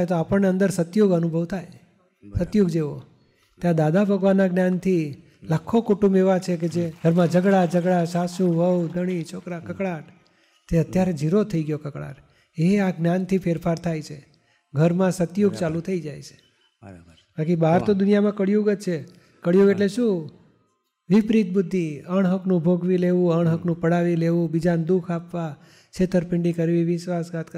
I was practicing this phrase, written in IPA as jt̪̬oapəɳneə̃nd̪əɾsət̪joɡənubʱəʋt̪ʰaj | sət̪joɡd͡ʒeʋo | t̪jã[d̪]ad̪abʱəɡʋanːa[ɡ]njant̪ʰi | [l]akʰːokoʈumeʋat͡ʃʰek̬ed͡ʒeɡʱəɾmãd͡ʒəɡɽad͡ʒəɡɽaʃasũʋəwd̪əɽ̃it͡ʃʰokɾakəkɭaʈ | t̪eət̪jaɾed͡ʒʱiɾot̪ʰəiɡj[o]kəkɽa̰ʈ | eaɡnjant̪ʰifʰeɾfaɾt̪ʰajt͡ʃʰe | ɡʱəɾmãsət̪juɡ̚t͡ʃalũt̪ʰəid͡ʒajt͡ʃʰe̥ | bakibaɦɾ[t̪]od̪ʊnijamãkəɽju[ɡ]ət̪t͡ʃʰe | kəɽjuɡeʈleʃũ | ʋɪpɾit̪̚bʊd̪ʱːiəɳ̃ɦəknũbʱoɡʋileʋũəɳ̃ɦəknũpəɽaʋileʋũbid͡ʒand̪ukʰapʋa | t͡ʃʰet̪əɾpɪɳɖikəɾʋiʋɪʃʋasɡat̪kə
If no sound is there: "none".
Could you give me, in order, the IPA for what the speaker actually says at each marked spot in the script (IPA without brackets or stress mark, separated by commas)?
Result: d̪, ɡ, l, o, t̪, ɡ